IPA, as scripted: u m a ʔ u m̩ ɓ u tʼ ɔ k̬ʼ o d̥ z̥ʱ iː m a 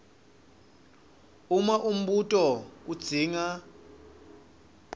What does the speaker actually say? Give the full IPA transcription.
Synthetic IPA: u m a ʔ u m̩ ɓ u tʼ ɔ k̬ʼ u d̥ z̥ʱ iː ŋ a